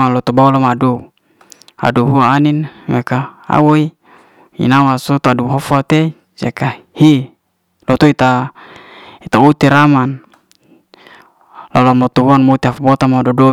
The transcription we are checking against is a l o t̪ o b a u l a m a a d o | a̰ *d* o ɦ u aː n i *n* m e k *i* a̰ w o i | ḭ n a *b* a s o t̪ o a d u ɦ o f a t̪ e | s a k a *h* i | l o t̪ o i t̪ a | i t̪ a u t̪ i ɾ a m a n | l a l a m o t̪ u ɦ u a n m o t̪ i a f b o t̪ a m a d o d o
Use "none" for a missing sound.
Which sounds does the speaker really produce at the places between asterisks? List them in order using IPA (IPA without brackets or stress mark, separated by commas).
d, n, a, w, h